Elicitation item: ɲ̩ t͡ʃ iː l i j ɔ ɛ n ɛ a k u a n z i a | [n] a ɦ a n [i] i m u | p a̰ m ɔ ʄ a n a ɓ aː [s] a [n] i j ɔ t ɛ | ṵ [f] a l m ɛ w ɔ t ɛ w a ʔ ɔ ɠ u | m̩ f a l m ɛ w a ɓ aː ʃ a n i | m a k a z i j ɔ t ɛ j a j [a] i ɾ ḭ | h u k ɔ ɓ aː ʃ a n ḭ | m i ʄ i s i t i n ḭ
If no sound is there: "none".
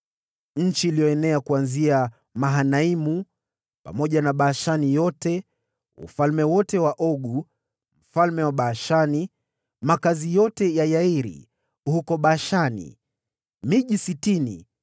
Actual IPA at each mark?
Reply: m, a, ʃ, n, f, a

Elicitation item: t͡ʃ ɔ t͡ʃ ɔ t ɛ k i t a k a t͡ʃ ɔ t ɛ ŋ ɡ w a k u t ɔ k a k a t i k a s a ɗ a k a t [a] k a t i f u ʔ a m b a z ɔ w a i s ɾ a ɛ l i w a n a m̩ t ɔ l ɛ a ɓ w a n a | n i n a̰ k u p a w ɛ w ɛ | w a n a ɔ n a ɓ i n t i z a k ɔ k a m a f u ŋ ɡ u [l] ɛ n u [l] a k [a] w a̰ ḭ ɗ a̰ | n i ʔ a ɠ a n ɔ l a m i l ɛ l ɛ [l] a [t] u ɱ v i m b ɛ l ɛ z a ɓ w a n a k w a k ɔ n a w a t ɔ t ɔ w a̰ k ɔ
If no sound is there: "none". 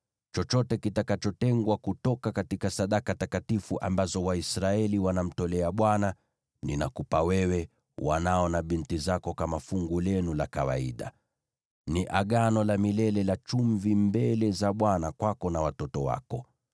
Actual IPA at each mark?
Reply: a, l, l, a, l, t͡ʃ

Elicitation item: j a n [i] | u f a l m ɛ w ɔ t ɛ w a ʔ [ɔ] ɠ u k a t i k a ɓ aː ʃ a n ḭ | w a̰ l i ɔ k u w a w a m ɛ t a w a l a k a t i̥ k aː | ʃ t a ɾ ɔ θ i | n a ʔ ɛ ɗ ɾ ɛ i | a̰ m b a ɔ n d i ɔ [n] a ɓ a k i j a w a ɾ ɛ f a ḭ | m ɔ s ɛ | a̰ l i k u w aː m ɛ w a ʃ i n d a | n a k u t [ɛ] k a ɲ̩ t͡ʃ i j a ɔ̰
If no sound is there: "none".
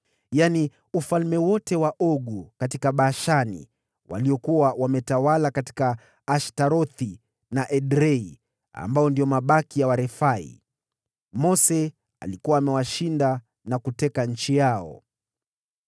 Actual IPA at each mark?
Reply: i, ɔ, m, ɛ

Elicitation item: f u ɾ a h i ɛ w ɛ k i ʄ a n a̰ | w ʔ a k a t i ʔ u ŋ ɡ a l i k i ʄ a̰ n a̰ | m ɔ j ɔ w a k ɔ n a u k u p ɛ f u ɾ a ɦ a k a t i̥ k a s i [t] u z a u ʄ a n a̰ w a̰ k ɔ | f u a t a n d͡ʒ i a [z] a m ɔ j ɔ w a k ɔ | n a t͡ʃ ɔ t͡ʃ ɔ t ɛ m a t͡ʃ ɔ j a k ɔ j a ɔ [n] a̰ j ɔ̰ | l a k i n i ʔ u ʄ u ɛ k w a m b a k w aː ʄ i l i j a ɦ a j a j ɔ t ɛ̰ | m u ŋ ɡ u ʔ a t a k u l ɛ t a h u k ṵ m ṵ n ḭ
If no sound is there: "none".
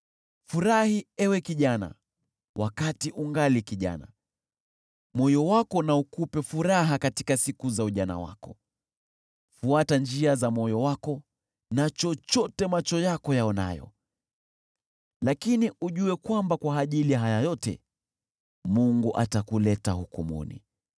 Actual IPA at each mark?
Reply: k, z, n

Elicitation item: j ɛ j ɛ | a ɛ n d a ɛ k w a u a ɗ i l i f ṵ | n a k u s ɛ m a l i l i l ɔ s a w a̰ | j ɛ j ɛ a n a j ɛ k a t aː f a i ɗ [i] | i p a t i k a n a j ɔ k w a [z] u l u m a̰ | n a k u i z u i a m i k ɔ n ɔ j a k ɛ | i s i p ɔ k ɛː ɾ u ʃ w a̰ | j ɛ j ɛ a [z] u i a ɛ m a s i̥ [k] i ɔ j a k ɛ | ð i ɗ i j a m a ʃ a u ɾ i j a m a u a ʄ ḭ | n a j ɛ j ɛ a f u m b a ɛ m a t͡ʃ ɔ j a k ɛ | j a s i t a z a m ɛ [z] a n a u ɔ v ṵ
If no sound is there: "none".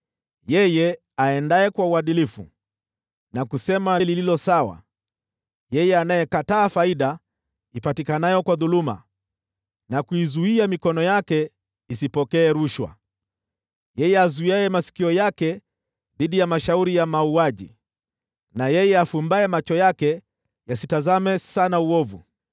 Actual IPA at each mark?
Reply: a, ð, z, k, s

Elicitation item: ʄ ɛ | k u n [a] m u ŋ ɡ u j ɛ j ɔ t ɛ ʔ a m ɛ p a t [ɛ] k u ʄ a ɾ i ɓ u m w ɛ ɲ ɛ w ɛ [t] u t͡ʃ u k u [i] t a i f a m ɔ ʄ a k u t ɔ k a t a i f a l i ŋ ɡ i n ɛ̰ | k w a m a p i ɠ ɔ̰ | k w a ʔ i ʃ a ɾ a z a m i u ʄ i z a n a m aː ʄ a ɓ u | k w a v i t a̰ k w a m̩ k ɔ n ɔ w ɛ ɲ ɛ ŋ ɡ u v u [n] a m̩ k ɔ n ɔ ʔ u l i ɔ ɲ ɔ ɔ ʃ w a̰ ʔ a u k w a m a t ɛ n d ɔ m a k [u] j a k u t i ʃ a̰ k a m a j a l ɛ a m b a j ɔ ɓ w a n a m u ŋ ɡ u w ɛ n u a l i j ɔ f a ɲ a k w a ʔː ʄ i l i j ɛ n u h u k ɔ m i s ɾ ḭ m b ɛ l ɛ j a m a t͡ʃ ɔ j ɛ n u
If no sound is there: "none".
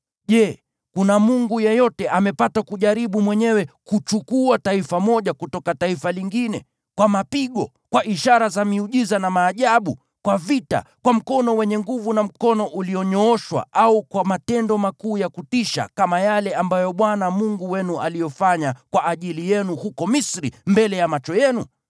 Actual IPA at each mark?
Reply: a, a, k, a, n, uː

